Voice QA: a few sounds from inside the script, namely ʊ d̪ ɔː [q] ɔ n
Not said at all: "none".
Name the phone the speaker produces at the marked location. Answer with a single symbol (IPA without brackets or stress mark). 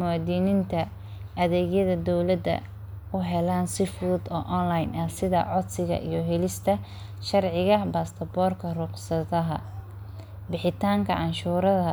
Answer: ʔ